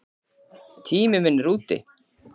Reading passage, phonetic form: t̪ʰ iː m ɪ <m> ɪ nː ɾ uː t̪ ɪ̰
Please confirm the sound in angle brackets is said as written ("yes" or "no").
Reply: yes